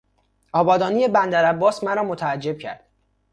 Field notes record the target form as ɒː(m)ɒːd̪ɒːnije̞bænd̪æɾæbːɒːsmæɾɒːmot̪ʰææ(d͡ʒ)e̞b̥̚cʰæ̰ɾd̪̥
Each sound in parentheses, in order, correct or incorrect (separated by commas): incorrect, incorrect